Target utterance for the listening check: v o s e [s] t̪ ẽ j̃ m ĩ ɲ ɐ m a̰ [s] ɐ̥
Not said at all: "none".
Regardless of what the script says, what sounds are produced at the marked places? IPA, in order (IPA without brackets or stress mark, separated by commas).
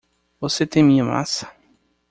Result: none, s